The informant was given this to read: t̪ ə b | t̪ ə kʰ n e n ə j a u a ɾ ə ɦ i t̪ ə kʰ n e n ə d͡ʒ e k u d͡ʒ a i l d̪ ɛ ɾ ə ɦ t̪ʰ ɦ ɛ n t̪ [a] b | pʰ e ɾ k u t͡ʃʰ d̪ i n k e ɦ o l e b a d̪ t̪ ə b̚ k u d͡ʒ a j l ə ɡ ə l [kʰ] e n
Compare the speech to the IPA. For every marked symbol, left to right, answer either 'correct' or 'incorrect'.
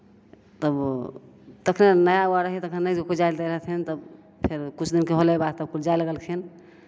incorrect: ə, correct

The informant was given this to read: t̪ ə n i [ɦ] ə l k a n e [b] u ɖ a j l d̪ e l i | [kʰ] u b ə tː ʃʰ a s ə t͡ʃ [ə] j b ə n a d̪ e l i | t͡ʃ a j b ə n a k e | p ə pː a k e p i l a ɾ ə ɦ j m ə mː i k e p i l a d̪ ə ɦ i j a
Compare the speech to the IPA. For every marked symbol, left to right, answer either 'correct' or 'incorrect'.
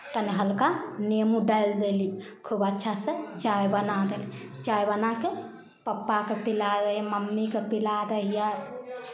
correct, incorrect: m, correct, incorrect: a

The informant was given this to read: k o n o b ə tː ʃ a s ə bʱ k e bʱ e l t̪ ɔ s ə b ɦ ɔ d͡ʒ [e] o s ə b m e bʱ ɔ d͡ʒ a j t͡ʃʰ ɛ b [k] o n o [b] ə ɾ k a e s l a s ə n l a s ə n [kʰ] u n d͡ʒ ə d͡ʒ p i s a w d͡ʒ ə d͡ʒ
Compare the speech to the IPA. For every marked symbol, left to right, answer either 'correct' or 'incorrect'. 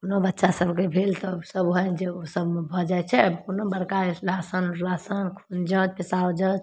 correct, correct, correct, correct

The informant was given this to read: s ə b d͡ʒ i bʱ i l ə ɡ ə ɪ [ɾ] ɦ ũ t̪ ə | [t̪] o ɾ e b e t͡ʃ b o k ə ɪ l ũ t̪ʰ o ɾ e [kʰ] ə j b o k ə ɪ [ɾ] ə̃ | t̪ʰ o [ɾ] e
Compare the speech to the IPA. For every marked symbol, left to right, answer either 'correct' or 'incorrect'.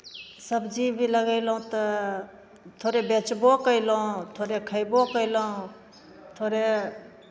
incorrect: l, incorrect: t̪ʰ, correct, incorrect: l, correct

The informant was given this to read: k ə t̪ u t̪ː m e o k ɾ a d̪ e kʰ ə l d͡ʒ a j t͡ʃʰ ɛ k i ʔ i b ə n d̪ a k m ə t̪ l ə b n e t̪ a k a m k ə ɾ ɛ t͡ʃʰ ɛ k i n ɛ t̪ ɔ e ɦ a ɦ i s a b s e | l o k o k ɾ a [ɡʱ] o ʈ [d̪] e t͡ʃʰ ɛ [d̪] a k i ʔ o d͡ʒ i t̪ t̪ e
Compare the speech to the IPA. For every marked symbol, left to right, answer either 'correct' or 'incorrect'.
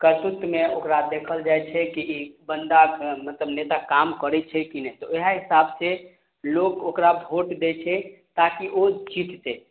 incorrect: bʱ, correct, incorrect: t̪

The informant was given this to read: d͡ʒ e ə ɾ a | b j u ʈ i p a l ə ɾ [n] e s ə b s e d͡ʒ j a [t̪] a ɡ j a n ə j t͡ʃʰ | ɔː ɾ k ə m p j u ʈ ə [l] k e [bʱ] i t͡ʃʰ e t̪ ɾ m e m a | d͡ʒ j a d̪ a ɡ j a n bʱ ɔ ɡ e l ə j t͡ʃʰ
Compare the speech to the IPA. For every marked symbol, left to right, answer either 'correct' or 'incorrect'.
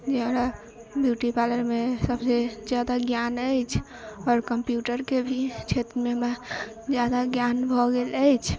incorrect: m, incorrect: d̪, incorrect: ɾ, correct

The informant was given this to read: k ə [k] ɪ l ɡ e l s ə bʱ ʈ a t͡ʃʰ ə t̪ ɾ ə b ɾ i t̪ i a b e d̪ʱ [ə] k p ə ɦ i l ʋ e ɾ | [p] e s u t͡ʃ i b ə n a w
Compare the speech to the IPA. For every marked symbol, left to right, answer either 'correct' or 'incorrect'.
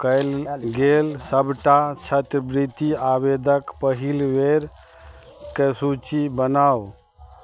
incorrect: none, correct, incorrect: k

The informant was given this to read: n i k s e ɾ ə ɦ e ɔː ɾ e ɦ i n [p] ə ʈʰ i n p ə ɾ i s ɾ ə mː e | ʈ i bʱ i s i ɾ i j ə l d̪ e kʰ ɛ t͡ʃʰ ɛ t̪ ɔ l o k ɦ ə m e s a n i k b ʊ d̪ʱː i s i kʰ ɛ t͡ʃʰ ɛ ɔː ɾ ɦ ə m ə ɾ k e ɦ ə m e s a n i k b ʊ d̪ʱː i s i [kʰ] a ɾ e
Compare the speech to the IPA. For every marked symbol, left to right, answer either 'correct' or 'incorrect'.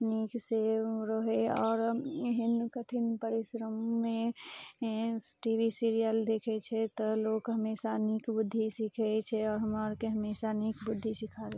incorrect: k, correct

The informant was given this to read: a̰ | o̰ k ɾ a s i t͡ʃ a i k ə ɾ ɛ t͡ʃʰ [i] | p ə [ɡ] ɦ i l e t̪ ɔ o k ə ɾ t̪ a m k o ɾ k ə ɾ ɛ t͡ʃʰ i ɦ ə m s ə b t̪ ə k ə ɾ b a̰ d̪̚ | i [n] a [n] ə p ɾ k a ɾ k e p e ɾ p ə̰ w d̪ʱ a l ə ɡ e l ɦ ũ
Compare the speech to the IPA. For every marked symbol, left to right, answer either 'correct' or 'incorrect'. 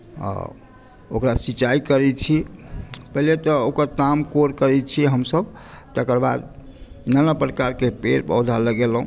correct, incorrect: none, correct, correct

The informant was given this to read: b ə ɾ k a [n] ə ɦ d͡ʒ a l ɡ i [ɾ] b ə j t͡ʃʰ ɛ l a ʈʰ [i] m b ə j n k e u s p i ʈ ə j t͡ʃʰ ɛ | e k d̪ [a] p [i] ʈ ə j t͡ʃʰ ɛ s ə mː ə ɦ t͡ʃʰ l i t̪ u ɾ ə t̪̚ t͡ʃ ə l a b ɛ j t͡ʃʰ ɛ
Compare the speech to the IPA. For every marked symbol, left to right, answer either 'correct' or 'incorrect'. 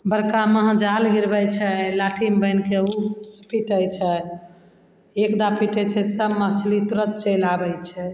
incorrect: m, correct, correct, correct, correct

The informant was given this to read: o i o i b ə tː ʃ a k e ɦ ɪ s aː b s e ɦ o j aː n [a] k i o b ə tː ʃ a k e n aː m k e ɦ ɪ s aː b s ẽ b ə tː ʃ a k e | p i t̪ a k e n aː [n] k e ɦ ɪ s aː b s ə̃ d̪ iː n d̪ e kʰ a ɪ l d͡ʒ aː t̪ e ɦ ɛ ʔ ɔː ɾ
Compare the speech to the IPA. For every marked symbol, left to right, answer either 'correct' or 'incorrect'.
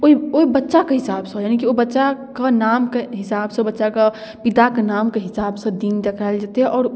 incorrect: i, incorrect: m

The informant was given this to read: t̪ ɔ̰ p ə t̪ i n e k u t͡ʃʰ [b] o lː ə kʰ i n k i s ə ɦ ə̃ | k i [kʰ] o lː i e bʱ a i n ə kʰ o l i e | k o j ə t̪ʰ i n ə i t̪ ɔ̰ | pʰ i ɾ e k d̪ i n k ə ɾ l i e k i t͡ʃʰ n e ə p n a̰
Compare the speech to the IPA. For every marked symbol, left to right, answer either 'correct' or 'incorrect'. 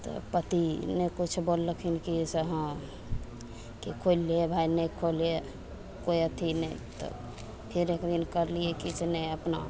correct, correct

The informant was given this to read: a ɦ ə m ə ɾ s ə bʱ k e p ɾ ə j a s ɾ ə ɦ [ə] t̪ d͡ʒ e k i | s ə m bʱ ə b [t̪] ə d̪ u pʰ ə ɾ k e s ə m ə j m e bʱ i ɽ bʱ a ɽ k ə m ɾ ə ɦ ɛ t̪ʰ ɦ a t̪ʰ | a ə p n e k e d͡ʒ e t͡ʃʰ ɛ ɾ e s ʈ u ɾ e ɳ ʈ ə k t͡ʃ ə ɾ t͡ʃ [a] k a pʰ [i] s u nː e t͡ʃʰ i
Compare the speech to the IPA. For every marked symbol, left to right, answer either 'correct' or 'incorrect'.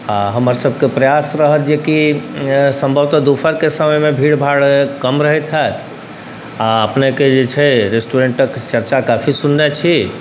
correct, correct, correct, correct

